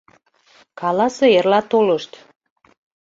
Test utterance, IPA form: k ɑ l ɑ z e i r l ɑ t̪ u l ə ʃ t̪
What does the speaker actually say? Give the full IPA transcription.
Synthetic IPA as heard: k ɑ l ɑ s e e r l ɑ t̪ o l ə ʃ t̪